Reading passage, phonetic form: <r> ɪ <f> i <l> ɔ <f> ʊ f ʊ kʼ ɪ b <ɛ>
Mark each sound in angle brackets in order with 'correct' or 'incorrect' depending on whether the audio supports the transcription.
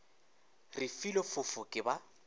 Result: correct, correct, correct, correct, incorrect: a

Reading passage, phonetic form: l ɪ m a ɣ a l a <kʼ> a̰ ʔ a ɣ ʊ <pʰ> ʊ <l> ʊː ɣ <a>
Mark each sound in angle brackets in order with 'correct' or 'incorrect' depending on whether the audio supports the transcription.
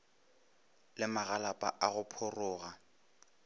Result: incorrect: pʼ, correct, incorrect: r, correct

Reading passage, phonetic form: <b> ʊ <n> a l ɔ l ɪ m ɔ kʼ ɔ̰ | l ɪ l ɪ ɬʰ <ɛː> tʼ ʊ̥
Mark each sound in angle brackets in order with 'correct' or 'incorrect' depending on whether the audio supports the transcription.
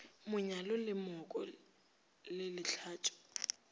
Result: incorrect: m, incorrect: ɲ, incorrect: aː

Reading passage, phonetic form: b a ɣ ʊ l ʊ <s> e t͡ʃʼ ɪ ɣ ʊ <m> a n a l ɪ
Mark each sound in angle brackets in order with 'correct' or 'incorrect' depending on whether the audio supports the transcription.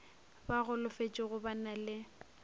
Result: incorrect: f, incorrect: b

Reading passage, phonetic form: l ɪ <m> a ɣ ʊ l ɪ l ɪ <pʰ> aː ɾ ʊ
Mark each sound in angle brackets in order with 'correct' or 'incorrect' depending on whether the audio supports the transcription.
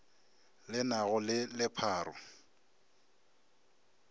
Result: incorrect: n, correct

